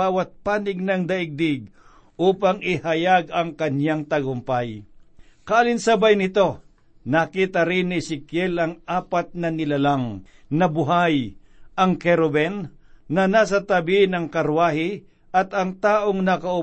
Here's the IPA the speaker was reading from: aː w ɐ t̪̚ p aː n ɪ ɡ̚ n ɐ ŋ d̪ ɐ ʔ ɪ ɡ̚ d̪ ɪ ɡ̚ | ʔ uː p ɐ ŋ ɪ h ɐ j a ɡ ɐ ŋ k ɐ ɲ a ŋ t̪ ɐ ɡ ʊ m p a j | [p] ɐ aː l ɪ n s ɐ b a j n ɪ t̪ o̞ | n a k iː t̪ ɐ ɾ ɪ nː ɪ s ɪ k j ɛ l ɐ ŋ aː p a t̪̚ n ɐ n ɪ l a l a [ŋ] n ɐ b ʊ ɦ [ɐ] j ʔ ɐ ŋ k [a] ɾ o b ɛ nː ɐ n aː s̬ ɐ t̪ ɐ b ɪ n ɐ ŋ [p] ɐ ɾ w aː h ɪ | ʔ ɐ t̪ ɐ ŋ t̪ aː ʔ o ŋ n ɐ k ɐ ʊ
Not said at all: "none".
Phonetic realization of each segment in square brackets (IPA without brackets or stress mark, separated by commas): k, ŋ, a, ɛ, k